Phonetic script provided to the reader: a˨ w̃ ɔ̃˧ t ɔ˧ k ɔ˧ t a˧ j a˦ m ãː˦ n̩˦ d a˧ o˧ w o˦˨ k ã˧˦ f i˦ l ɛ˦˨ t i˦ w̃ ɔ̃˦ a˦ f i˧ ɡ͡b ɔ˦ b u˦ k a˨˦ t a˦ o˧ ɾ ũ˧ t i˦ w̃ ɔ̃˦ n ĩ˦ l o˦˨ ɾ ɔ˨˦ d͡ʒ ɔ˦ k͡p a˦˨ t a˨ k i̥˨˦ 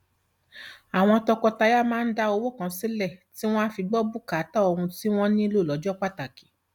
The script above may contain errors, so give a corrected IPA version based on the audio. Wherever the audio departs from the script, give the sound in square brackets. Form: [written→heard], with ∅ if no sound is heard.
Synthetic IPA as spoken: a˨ w̃ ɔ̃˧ t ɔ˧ k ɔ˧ t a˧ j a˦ m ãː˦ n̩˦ d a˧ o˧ w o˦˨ k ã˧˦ [f→s] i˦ l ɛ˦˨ t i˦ w̃ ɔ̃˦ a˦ f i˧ ɡ͡b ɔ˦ b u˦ k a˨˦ t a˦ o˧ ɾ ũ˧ t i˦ w̃ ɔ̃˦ n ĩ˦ l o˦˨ [ɾ→l] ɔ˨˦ d͡ʒ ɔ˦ k͡p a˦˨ t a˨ k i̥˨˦